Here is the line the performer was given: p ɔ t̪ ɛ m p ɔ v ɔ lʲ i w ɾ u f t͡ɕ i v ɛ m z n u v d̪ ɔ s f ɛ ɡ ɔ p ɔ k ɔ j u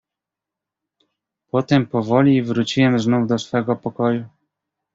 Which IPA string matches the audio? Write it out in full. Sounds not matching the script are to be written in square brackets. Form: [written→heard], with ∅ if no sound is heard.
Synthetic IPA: p ɔ t̪ ɛ m p ɔ v ɔ lʲ i [w→v] ɾ u [f→∅] t͡ɕ i [v→w] ɛ m z n u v d̪ ɔ s f ɛ ɡ ɔ p ɔ k ɔ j u